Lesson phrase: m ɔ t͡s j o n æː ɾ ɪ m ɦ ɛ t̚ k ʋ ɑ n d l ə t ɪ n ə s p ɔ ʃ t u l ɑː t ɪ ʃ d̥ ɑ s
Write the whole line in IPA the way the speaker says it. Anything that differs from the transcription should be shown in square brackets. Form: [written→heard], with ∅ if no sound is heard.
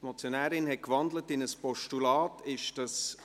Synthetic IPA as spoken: m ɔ t͡s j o n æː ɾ ɪ [m→n] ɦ ɛ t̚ k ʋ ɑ n d l ə t ɪ n ə s p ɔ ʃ t u l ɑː t ɪ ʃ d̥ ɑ s

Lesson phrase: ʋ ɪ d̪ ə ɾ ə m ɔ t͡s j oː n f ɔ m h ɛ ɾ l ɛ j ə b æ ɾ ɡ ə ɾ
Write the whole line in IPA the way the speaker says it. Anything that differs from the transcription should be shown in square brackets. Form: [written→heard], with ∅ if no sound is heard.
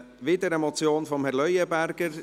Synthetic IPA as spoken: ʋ ɪ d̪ ə ɾ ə m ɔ t͡s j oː n f ɔ m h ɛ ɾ l [ɛ→œ] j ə b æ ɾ ɡ ə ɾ

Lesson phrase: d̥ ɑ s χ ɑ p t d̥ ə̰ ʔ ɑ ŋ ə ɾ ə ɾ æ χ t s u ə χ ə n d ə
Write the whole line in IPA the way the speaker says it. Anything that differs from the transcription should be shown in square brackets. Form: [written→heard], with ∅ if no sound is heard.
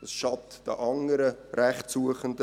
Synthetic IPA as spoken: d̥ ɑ s [χ→ʃ] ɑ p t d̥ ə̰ ʔ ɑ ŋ ə ɾ ə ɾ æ χ t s u ə χ ə n d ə

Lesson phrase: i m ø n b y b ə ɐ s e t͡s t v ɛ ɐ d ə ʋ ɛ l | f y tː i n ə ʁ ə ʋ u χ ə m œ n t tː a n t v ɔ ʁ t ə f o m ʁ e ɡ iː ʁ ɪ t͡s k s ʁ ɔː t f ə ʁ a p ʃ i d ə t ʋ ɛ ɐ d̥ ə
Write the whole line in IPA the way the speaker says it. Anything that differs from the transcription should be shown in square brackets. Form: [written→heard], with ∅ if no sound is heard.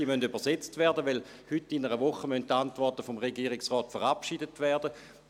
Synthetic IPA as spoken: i m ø n [b→d] y b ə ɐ s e t͡s t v ɛ ɐ d ə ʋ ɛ l | [f→h] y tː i n ə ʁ ə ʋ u χ ə m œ n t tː a n t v ɔ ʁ t ə f o m ʁ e ɡ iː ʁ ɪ [t͡s→∅] k s ʁ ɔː t f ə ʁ a p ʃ i d ə t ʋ ɛ ɐ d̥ ə

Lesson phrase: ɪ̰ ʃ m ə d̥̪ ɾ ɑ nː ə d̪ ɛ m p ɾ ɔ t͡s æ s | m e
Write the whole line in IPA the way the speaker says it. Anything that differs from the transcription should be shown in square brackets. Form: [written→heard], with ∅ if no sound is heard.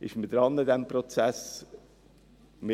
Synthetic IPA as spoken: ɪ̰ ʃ m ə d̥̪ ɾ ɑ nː ə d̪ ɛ m p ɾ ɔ t͡s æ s | m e

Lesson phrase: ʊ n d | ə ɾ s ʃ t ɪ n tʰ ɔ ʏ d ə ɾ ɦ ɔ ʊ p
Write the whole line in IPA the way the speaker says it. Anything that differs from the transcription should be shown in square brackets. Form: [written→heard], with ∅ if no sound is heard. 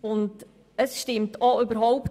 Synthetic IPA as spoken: ʊ n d | ə [ɾ→∅] s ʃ t ɪ [n→m] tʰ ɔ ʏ [d→b] ə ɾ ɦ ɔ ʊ p

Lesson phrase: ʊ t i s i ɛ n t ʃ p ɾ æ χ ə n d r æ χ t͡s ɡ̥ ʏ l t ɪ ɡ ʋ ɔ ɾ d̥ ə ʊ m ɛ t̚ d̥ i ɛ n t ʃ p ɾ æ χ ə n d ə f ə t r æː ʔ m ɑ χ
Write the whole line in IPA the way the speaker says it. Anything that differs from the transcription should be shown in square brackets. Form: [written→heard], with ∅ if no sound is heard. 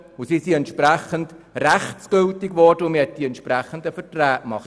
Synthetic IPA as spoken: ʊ [t→s] i s i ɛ n t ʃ p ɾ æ χ ə n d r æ χ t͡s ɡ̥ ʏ l t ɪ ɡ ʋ ɔ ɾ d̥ ə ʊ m ɛ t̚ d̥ i ɛ n t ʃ p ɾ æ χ ə n d ə f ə t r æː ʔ m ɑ χ

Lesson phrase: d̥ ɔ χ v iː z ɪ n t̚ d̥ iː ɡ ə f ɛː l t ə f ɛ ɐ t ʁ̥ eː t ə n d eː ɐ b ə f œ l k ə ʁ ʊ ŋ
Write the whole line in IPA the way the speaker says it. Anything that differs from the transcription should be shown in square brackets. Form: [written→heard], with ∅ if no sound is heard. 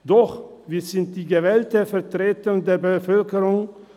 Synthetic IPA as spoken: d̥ ɔ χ v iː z ɪ n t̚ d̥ iː ɡ ə [f→v] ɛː l t ə f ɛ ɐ t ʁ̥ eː t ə n d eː ɐ b ə f œ l k ə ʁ ʊ ŋ

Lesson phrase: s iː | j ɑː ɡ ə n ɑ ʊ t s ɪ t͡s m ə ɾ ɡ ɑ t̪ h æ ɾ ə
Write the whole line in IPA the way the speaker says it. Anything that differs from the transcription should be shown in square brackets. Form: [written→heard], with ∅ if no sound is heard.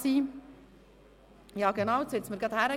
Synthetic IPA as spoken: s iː | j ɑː ɡ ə n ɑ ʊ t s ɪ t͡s m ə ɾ ɡ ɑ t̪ h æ ɾ ə

